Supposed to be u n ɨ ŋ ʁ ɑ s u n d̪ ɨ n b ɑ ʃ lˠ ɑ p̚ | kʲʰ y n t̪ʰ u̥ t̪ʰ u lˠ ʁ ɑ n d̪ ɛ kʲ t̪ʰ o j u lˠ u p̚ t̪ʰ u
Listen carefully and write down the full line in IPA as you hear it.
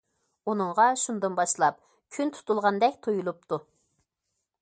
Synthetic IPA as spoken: u n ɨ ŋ ʁ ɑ ʃ u n d̪ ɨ n b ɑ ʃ lˠ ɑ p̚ | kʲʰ y n t̪ʰ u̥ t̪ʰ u lˠ ʁ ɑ n d̪ ɛ kʲ t̪ʰ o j u lˠ u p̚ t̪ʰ u